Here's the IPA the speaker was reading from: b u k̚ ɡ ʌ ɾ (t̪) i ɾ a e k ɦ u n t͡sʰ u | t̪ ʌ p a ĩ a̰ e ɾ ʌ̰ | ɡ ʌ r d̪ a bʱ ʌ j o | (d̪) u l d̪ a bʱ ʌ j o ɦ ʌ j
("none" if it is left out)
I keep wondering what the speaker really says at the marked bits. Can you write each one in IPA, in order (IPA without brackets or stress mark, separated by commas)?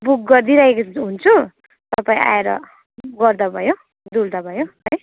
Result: d̪, d̪